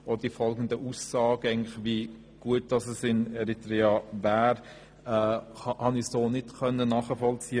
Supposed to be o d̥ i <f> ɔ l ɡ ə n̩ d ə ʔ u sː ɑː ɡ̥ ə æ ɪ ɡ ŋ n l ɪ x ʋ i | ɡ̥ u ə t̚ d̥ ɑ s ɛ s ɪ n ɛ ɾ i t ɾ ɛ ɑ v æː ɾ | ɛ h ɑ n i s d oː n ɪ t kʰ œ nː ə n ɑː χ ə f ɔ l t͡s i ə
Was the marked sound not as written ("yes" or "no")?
no